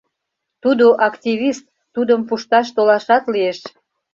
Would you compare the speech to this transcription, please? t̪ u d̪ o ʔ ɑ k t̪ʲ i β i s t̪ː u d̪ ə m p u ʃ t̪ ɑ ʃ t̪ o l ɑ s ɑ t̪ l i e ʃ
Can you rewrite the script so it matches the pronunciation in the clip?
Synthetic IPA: t̪ u d̪ o ʔ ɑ k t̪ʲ i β i s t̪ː u d̪ ə m p u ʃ t̪ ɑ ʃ t̪ o l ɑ ʃ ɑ t̪ l i e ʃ

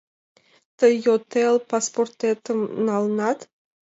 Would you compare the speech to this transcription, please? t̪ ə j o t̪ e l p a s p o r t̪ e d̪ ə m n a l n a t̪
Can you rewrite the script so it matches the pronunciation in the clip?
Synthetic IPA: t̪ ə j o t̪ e l p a s p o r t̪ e t̪ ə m n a l n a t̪

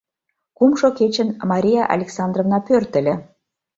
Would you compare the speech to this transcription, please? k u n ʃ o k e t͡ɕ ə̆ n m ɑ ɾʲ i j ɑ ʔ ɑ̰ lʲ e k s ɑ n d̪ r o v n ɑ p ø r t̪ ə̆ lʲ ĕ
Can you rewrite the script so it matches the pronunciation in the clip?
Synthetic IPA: k u m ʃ o k e t͡ɕ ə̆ n m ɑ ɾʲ i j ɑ ʔ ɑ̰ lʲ e k s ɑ n d̪ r o v n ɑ p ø r t̪ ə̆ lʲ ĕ

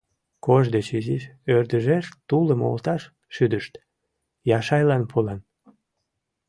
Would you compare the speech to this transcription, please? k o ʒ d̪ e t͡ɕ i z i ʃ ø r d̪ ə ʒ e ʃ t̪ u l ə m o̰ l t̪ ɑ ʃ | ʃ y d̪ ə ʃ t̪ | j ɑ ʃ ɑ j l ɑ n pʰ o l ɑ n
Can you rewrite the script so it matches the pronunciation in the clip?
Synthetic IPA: k o ʒ d̪ e t͡ɕ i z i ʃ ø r d̪ ə ʒ e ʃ t̪ u l ə m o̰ l t̪ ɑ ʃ | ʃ y d̪ ə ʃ t̪ | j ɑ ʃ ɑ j l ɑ n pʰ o l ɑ n

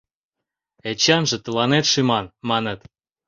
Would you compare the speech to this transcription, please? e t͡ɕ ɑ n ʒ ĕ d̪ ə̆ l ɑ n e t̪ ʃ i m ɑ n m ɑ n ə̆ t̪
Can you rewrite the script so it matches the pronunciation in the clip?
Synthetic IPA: e t͡ɕ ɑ n ʒ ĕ t̪ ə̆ l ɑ n e t̪ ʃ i m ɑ n m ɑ n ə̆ t̪

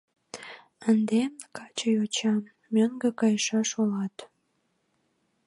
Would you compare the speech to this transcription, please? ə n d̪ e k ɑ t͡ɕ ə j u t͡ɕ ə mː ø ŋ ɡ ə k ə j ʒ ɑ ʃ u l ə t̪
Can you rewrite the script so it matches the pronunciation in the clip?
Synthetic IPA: ə n d̪ e k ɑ t͡ɕ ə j o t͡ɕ ɑ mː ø ŋ ɡ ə k ɑ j ʃ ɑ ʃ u l ɑ t̪

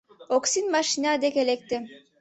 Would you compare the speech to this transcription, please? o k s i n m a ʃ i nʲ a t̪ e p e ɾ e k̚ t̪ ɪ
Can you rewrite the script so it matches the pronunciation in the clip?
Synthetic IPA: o k s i n m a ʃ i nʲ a d̪ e k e l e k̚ t̪ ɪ

